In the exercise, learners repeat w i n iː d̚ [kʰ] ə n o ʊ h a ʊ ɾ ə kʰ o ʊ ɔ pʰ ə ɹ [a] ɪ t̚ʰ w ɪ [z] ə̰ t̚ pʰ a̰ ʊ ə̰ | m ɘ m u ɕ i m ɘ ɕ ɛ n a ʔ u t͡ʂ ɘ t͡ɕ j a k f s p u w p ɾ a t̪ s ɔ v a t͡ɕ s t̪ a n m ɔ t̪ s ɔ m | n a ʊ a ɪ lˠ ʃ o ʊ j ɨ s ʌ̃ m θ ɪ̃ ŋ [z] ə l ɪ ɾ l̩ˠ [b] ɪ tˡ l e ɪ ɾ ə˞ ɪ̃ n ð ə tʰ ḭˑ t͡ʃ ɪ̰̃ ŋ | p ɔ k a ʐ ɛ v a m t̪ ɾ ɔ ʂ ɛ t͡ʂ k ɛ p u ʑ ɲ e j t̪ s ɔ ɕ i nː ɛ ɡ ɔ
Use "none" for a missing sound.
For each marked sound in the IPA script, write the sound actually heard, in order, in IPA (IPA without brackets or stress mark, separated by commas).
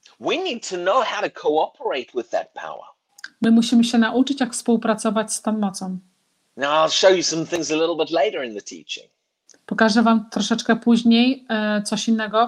tʰ, e, ð, z, b